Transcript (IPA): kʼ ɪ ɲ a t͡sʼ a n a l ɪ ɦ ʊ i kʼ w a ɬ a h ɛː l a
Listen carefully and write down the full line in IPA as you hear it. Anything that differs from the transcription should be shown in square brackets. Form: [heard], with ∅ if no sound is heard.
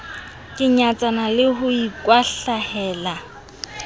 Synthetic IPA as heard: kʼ ɪ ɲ a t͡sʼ a n a l ɪ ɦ ʊ i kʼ w a ɬ a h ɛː l a